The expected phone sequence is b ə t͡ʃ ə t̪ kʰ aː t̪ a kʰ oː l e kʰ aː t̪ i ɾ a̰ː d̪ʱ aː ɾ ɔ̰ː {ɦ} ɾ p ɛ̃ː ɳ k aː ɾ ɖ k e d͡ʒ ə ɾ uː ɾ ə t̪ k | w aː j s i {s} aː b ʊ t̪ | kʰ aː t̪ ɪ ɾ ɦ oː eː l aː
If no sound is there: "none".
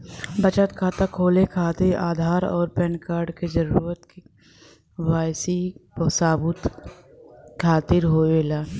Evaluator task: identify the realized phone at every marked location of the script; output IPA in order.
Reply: none, s

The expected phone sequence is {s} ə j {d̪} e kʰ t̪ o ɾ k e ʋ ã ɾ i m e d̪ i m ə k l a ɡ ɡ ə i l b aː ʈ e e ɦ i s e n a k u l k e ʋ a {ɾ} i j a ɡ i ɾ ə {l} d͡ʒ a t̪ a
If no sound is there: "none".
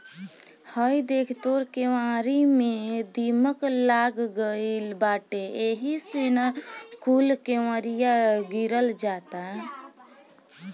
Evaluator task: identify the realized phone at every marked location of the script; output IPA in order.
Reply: h, d̪, ɾ, l

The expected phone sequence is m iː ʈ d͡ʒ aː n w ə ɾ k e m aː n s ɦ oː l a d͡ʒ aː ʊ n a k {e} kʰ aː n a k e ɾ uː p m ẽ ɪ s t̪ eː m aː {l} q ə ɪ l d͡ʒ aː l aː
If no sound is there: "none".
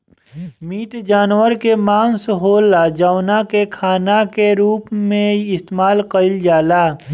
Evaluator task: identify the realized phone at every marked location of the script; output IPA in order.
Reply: e, l

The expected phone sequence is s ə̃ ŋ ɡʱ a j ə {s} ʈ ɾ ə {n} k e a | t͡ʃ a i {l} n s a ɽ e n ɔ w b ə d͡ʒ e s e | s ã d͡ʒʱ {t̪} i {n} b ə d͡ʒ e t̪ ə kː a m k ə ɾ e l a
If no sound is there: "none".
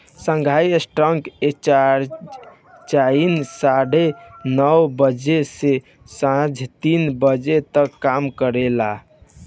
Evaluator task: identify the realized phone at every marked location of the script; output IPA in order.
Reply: s, ŋ, none, t̪, n

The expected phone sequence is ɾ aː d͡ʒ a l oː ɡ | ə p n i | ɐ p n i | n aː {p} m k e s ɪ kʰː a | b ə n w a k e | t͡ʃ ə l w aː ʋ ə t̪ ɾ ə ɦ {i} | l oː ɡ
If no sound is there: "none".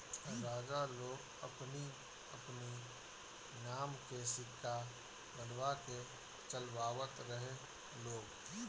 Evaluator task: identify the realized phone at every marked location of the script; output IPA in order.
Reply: none, e

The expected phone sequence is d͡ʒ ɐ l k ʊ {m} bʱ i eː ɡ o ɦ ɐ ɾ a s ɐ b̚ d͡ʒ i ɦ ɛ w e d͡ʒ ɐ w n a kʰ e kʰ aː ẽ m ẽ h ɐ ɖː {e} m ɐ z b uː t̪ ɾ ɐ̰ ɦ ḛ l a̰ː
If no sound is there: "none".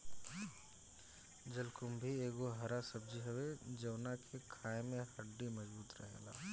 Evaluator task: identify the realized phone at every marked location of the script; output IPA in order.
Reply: m, i

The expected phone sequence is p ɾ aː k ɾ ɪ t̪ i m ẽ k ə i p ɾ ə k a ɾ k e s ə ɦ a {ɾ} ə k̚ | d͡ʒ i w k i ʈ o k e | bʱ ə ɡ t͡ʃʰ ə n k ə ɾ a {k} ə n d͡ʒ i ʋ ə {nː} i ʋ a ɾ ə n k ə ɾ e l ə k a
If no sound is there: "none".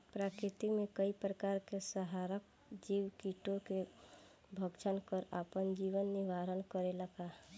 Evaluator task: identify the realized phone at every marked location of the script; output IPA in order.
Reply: ɾ, p, nː

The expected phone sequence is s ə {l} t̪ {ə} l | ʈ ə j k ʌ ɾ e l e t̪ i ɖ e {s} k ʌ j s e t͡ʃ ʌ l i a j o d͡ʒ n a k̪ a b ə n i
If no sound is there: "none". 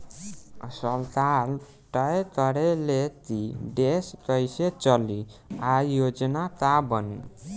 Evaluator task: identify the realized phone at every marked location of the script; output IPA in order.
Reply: l, a, s

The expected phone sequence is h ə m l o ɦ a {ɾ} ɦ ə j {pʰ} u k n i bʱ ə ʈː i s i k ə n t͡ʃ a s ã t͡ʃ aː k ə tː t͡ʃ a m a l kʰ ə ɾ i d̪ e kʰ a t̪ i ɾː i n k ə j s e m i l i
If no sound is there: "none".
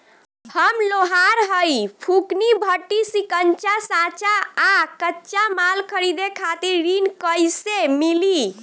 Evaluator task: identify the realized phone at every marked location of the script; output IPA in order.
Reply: ɾ, pʰ

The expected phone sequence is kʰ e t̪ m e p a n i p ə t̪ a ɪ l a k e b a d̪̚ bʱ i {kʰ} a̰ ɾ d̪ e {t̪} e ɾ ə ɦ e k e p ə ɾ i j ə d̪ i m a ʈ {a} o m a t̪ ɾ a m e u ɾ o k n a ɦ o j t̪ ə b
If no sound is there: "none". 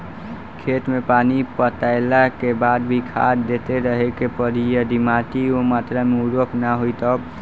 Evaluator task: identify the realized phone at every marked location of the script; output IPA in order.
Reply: kʰ, t̪, i

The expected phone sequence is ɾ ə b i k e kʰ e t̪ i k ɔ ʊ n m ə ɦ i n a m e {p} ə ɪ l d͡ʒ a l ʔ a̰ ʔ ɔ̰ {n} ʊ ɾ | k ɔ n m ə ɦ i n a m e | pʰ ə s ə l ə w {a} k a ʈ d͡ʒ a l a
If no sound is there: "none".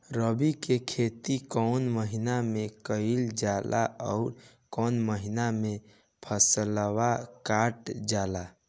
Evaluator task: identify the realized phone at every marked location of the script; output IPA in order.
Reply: k, none, a

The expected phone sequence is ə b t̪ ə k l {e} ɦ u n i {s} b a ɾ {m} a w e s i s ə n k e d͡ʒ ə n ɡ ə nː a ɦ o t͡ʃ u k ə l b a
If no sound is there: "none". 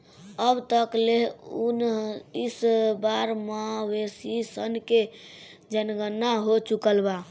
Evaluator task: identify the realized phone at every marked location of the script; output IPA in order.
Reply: e, s, m

